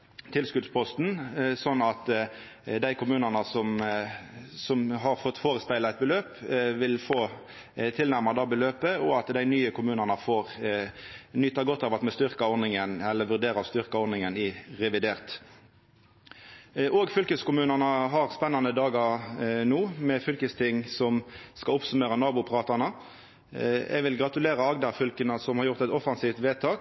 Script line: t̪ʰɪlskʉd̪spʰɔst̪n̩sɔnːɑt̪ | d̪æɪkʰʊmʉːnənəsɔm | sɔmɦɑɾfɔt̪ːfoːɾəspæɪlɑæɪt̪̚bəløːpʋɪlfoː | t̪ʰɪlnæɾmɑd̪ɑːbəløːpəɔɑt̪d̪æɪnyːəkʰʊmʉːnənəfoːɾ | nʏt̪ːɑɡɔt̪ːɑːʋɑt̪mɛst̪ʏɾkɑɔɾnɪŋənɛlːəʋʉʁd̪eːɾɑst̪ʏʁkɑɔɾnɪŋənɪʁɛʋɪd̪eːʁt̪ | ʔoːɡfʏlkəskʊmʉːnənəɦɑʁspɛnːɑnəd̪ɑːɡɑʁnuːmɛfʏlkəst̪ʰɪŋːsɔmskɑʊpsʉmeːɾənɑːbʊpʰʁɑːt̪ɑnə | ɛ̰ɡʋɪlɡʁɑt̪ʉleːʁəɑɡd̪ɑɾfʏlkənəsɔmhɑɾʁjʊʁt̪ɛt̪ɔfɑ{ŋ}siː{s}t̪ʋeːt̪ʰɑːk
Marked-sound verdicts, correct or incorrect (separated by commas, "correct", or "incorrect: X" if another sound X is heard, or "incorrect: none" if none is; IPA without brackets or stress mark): incorrect: n, incorrect: f